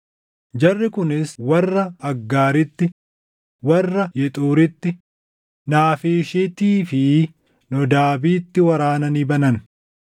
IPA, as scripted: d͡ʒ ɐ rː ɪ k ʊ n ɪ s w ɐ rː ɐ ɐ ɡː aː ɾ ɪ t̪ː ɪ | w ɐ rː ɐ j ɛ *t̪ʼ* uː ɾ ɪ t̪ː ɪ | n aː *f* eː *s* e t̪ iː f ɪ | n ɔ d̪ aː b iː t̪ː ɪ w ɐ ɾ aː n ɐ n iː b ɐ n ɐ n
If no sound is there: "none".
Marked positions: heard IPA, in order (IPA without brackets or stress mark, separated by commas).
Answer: t̪ʼ, f, ʃ